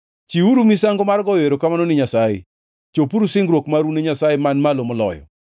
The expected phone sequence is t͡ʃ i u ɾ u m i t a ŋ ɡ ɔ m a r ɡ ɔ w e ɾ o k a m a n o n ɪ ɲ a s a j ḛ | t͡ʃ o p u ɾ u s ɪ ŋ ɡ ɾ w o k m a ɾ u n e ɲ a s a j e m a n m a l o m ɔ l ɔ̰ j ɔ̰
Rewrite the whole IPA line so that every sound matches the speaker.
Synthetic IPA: t͡ʃ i u ɾ u m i s a ŋ ɡ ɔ m a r ɡ ɔ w e ɾ o k a m a n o n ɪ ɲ a s a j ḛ | t͡ʃ o p u ɾ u s ɪ ŋ ɡ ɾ w o k m a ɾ u n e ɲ a s a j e m a n m a l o m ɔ l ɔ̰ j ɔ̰